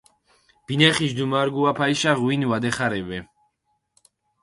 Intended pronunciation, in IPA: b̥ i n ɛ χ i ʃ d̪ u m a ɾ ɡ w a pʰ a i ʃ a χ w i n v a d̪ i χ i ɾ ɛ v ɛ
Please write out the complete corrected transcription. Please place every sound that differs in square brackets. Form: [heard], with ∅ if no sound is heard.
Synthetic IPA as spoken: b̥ i n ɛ χ i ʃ d̪ u m a ɾ ɡ [u] a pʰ a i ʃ a [ʁ] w i n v a d̪ [ɛ] χ [a] ɾ ɛ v ɛ